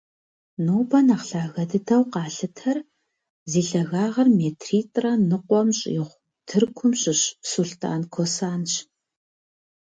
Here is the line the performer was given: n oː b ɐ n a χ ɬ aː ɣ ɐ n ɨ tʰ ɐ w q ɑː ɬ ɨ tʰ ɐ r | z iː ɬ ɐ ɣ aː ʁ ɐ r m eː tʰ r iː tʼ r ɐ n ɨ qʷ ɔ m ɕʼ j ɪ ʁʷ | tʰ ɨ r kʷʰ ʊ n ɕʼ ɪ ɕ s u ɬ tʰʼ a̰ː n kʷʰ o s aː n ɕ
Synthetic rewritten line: n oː b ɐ n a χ ɬ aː ɣ ɐ d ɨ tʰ ɐ w q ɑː ɬ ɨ tʰ ɐ r | z iː ɬ ɐ ɣ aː ʁ ɐ r m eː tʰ r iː tʼ r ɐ n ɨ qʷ ɔ m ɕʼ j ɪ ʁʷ | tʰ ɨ r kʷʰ ʊ m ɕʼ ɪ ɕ s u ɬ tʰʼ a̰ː n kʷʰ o s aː n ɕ